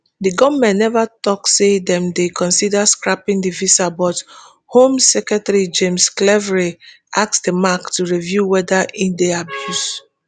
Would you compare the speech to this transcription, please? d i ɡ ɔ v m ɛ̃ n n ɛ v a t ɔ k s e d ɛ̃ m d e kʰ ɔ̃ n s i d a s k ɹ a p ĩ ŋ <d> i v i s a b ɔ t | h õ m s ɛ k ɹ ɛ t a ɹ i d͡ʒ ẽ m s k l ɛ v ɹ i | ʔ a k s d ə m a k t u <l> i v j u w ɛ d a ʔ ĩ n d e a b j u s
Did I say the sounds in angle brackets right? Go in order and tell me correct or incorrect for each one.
correct, incorrect

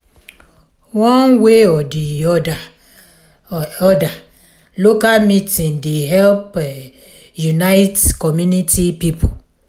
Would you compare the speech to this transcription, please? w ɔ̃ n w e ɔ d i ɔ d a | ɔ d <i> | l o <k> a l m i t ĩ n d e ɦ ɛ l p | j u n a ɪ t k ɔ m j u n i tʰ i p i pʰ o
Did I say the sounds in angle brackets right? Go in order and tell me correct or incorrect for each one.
incorrect, correct

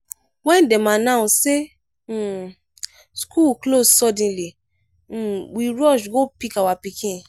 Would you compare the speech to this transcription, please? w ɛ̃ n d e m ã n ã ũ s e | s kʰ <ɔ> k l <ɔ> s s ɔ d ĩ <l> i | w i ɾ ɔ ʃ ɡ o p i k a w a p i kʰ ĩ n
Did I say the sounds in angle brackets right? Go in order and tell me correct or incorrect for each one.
incorrect, incorrect, correct

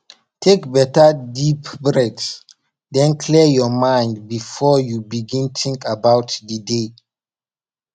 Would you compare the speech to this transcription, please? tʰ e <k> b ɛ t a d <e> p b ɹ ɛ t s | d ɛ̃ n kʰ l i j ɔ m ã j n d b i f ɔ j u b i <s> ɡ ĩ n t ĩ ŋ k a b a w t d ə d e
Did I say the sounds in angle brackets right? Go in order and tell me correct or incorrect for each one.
correct, incorrect, incorrect

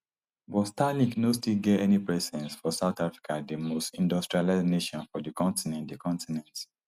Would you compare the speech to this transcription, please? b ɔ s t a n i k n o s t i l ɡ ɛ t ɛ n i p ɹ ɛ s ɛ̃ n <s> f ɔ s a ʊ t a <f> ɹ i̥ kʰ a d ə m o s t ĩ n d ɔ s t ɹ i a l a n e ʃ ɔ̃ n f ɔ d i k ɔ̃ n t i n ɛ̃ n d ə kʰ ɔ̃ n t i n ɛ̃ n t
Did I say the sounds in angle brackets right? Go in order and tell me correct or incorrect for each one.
correct, correct

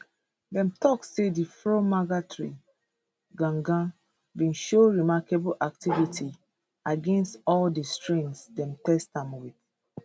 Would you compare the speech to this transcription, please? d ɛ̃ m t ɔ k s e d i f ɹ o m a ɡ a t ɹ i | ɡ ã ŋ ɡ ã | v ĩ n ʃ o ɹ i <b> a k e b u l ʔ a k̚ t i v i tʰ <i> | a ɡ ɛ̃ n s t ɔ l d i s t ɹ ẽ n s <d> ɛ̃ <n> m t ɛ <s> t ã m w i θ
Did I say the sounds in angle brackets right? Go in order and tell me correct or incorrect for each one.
incorrect, correct, correct, incorrect, correct

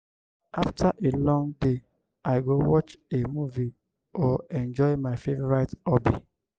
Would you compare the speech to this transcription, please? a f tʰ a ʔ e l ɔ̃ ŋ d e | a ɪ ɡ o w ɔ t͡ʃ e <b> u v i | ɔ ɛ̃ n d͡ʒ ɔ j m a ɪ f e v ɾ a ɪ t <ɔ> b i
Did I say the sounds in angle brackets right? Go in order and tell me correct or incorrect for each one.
incorrect, correct

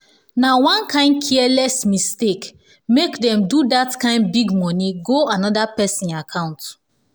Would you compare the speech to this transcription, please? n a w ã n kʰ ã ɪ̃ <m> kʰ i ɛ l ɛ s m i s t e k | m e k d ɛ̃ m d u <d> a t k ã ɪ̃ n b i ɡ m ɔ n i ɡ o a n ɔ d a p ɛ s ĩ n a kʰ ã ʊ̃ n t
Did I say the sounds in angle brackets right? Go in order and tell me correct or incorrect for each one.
incorrect, correct

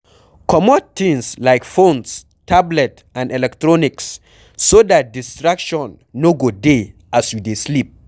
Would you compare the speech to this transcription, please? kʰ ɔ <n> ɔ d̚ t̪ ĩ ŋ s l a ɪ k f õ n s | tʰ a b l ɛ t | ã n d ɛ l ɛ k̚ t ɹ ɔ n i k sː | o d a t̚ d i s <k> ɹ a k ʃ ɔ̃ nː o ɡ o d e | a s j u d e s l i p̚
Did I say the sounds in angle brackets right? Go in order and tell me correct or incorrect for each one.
incorrect, incorrect

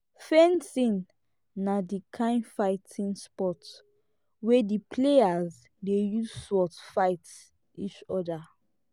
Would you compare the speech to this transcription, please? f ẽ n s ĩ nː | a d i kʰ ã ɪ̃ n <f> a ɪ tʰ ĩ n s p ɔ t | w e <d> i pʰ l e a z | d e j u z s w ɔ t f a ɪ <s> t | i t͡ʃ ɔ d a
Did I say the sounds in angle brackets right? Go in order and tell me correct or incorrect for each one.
correct, correct, incorrect

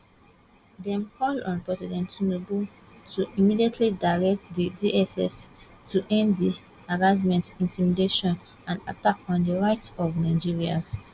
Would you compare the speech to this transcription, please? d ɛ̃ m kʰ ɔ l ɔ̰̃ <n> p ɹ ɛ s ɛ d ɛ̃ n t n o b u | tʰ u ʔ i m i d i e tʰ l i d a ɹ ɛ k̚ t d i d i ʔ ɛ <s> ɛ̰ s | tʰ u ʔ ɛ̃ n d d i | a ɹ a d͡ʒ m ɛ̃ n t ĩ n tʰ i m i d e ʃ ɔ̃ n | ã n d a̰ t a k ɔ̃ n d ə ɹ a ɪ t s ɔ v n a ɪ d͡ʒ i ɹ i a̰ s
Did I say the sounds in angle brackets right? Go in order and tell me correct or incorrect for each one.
correct, correct

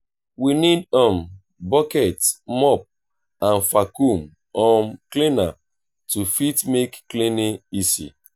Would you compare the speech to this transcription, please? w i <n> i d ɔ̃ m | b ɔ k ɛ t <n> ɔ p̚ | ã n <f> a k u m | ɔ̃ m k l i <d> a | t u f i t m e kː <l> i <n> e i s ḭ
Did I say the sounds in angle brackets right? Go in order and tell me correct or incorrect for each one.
correct, incorrect, correct, incorrect, correct, correct

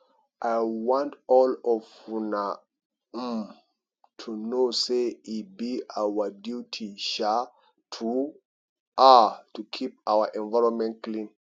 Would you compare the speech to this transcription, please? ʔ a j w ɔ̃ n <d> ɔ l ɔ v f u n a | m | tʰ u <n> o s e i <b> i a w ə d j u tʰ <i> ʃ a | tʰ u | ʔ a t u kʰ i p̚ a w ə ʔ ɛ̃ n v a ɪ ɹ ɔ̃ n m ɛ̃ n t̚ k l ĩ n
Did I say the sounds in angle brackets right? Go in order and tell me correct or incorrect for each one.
incorrect, correct, correct, correct

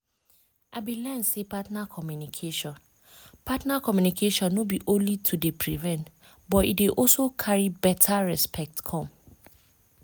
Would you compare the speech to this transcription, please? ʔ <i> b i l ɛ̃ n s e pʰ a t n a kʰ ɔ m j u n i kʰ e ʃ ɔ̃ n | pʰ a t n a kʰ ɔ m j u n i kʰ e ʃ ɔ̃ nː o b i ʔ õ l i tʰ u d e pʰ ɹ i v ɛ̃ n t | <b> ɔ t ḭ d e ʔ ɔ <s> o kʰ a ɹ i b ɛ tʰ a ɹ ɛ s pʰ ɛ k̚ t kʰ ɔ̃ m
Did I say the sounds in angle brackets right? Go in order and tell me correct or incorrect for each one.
incorrect, correct, correct

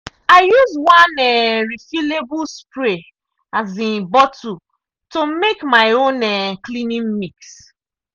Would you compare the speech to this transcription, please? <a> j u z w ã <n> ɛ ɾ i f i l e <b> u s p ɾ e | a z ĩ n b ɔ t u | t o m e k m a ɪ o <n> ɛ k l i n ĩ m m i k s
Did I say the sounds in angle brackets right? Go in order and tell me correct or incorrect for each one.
correct, correct, correct, correct

